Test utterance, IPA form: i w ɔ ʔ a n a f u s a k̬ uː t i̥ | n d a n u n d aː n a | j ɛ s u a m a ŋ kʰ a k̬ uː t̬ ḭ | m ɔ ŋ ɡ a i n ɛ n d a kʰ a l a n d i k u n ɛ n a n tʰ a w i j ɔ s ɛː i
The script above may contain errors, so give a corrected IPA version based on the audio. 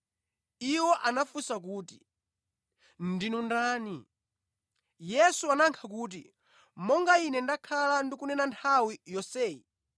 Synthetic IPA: i w ɔ ʔ a n a f u s a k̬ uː t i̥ | n d i n u n d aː n i | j ɛ s u a n a ŋ kʰ a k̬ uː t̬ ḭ | m ɔ ŋ ɡ a i n ɛ n d a kʰ a l a n d i k u n ɛ n a n tʰ a w i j ɔ s ɛː i